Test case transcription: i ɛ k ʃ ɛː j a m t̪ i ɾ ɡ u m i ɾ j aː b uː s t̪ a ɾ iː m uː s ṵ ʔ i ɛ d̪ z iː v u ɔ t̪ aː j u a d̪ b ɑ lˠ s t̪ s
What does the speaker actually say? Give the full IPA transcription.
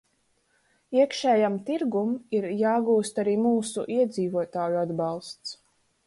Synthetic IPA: i ɛ k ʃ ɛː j a m t̪ i ɾ ɡ u m i ɾ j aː ɡ uː s t̪ a ɾ iː m uː s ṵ ʔ i ɛ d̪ z iː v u ɔ t̪ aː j u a d̪ b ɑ lˠ s t̪ s